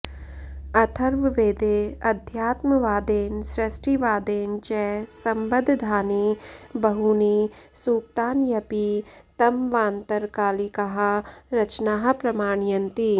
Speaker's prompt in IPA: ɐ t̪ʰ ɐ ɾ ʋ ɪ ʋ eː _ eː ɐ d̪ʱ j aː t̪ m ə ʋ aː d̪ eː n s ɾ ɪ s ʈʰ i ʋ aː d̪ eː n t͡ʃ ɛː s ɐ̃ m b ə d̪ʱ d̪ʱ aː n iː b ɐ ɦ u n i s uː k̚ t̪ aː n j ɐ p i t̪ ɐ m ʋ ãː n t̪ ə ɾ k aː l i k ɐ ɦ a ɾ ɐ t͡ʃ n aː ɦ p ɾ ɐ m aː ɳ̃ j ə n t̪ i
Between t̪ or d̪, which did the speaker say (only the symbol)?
d̪